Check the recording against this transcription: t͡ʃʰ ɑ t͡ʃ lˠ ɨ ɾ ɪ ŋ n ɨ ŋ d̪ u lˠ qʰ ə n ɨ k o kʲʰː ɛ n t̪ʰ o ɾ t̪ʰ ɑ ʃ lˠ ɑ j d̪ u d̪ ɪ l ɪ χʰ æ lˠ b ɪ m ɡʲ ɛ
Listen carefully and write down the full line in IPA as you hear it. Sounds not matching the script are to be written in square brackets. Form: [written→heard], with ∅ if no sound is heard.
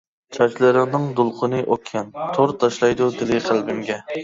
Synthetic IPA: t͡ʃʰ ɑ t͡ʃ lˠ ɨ ɾ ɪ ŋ n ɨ ŋ d̪ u lˠ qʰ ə n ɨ [k→ʔ] o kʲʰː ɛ n t̪ʰ o ɾ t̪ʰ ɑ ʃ lˠ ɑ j d̪ u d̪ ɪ l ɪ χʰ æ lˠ b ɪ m ɡʲ ɛ